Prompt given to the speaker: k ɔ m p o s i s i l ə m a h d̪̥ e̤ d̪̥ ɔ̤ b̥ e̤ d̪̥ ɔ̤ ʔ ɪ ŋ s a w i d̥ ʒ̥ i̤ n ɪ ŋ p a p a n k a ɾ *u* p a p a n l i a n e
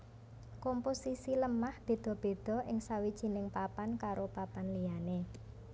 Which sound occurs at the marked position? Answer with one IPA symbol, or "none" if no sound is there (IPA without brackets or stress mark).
o